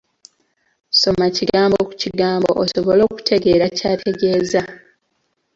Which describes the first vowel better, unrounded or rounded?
rounded